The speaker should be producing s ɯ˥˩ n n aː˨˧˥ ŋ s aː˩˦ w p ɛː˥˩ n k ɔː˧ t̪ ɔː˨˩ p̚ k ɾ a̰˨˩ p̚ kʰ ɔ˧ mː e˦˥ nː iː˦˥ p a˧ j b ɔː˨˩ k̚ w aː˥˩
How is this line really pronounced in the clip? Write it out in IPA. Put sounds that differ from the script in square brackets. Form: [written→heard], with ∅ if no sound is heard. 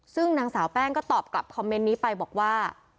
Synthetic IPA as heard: s ɯ˥˩ [n→ŋ] n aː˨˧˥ ŋ s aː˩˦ w p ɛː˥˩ [n→ŋ] k [ɔː˧→ɔː˥˩] t̪ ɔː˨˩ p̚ k [ɾ→l] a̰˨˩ p̚ kʰ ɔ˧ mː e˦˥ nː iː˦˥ p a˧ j b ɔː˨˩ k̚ w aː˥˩